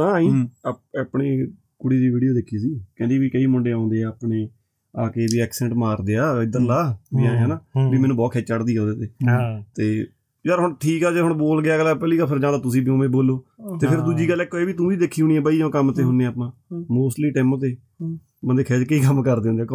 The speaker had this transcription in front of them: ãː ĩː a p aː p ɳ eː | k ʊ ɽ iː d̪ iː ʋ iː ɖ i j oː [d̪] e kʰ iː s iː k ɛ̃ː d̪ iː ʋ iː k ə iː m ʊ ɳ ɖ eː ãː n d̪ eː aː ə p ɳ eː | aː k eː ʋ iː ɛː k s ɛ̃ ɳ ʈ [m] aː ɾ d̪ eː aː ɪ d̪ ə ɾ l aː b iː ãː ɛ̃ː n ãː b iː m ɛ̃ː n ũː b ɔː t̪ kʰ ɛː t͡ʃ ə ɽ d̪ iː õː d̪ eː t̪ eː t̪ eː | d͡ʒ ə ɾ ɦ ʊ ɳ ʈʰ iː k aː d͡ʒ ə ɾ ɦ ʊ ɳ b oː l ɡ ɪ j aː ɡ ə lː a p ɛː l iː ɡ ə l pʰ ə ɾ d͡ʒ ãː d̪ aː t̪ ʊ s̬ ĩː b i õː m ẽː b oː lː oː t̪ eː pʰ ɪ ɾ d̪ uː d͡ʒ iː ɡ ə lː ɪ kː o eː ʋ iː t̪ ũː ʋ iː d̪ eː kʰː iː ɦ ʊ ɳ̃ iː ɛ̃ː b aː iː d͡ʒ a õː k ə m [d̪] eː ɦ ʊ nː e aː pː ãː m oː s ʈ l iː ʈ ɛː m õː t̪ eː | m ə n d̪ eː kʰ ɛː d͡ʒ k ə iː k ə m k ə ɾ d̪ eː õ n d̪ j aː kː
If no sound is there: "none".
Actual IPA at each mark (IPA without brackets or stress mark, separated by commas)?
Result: d̪, m, t̪